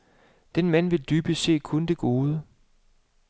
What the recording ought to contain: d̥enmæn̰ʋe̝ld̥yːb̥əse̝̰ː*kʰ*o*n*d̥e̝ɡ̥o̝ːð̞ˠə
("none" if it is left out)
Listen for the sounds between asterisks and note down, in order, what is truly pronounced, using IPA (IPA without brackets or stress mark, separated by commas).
kʰ, n